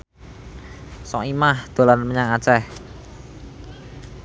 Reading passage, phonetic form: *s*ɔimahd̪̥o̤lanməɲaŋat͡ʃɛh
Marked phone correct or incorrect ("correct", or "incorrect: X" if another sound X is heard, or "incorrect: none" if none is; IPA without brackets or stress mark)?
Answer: correct